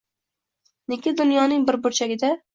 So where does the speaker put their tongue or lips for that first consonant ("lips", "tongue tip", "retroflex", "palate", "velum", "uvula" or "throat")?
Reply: tongue tip